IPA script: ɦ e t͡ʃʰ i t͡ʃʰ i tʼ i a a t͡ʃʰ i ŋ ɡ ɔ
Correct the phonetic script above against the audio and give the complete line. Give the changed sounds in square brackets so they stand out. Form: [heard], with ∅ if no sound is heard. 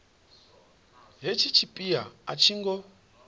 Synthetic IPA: ɦ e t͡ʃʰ i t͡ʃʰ i [pʼ] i a a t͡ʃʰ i ŋ ɡ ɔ